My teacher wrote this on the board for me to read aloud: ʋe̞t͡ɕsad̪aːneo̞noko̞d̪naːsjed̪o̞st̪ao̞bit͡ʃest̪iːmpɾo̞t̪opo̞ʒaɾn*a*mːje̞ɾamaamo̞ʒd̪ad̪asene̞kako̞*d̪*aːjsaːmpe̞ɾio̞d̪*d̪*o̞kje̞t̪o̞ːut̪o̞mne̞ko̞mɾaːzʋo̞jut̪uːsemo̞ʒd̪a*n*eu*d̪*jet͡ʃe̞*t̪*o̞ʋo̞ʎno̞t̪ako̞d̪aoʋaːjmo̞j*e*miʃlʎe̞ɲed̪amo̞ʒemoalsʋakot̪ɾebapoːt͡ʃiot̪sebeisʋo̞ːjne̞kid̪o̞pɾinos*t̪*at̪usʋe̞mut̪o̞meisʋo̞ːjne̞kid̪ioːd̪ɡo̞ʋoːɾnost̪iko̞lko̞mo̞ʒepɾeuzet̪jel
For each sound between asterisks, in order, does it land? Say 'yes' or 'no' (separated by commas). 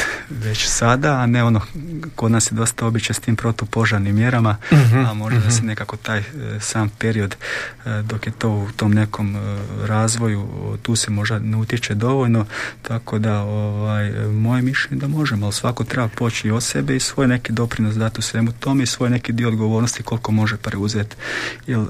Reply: no, no, yes, yes, no, no, yes, no